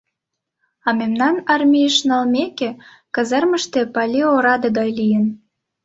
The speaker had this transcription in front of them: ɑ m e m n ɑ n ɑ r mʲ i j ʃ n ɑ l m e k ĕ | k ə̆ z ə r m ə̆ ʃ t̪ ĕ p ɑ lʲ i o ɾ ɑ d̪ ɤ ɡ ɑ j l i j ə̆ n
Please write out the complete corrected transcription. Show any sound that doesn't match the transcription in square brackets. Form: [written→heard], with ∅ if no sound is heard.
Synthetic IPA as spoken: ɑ m e m n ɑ n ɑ r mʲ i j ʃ n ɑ l m e k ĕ | k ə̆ z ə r m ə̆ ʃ t̪ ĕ p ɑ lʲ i o ɾ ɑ d̪ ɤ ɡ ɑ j l i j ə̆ n